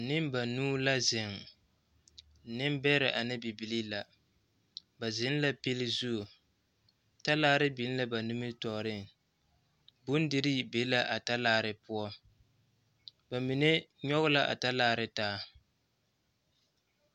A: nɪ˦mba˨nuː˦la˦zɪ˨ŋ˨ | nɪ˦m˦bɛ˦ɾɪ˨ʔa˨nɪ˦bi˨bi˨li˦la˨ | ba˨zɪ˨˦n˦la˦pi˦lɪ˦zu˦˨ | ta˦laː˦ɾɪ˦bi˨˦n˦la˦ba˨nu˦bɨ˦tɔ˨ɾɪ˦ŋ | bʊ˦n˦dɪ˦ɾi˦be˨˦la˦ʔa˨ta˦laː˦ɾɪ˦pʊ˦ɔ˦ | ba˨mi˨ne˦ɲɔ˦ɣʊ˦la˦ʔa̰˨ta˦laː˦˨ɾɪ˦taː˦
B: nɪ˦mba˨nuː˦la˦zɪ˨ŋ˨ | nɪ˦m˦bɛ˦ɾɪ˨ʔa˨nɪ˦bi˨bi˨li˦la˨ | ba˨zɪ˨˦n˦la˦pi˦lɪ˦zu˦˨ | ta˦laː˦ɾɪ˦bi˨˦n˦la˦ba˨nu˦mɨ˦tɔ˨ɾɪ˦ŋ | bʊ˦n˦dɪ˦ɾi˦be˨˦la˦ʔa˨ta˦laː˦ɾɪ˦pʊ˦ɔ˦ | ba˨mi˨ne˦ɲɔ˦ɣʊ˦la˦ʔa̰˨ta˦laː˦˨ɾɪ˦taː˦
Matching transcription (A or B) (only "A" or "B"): B